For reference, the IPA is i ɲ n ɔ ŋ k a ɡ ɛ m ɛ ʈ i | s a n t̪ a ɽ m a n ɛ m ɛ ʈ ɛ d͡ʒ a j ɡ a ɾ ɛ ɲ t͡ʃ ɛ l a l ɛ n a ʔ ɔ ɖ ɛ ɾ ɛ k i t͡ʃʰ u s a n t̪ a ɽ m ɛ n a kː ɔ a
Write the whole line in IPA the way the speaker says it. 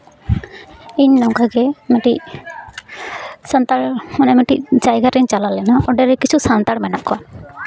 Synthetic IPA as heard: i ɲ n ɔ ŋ k a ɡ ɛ m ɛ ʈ i | s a n t̪ a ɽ m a n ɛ m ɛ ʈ i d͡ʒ a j ɡ a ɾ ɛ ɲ t͡ʃ a l a l ɛ n a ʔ ɔ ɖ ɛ ɾ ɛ k i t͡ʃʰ u s a n t̪ a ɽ m ɛ n a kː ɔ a